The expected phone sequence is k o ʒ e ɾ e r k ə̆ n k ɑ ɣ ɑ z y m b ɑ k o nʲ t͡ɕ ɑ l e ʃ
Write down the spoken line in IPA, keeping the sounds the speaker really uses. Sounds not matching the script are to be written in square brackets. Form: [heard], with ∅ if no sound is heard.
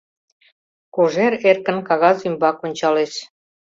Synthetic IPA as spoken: k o ʒ e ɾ e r k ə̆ n k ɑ ɣ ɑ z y m b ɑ k o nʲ t͡ɕ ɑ l e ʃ